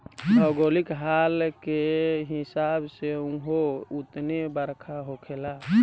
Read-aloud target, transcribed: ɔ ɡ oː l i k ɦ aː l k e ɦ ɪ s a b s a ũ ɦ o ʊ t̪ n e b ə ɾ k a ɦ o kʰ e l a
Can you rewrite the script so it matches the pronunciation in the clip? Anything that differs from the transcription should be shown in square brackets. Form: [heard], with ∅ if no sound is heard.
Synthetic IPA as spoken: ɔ ɡ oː l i k ɦ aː l k e ɦ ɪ s a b s [e] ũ ɦ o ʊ t̪ n e b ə ɾ [kʰ] a ɦ o kʰ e l a